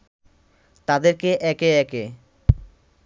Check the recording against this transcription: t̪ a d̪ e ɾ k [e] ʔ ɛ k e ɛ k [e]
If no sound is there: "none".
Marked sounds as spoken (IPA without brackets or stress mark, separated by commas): e, e